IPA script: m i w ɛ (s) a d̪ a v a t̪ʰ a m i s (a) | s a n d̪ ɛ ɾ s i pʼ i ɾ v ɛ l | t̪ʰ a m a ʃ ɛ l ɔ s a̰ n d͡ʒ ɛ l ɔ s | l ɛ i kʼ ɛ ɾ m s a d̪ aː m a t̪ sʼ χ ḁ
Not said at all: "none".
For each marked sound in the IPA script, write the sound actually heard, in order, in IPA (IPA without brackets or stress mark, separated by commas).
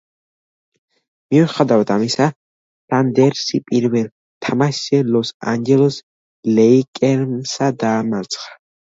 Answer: χ, a